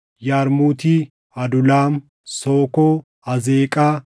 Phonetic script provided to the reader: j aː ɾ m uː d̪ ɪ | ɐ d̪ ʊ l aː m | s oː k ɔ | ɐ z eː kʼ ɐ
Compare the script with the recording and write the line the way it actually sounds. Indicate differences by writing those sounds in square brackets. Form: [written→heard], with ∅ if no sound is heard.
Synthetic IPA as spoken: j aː ɾ m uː [d̪→t̪] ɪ | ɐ d̪ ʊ l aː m | s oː k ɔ | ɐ z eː kʼ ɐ